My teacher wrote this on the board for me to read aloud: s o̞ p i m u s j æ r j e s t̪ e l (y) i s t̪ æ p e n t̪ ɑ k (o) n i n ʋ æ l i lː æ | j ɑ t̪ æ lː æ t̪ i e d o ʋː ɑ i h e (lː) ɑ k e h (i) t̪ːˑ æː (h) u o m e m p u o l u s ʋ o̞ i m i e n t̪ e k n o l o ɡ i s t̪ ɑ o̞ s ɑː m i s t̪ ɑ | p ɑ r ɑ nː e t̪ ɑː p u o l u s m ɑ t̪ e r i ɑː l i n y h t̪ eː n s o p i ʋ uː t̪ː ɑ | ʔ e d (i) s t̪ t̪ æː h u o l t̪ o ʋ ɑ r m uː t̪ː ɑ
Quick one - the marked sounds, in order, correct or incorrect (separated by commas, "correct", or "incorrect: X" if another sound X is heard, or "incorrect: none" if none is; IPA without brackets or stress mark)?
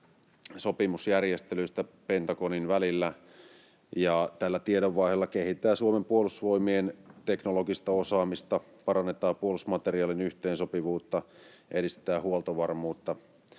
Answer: correct, correct, correct, correct, incorrect: s, correct